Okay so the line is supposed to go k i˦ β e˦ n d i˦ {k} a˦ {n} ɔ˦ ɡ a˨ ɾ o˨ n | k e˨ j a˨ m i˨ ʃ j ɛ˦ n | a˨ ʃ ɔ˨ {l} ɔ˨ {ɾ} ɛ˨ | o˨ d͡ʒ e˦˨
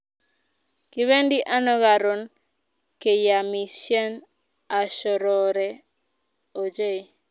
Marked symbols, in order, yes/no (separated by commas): no, yes, no, yes